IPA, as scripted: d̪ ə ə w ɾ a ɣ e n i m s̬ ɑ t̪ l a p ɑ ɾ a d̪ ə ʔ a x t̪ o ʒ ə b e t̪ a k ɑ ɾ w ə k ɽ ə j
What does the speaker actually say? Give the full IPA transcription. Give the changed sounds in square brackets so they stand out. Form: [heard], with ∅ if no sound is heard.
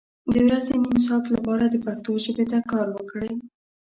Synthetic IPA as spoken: d̪ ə ə w ɾ a [z] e n i m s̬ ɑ t̪ l a p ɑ ɾ a d̪ ə [p] a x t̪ o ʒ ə b e t̪ a k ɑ ɾ w ə k ɽ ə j